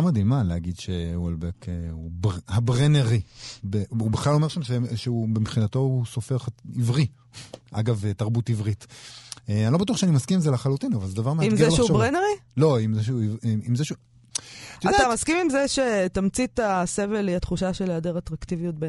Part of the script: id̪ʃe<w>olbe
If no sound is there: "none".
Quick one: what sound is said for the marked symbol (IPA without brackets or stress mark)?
w